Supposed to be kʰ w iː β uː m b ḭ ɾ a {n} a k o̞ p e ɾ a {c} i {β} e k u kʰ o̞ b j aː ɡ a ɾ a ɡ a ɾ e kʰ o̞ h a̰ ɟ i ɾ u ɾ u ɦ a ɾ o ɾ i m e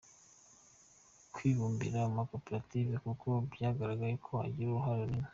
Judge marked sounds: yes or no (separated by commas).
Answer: no, no, no